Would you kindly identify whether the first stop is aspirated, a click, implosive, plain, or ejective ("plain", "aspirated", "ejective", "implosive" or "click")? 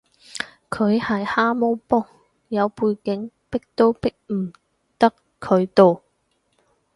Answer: aspirated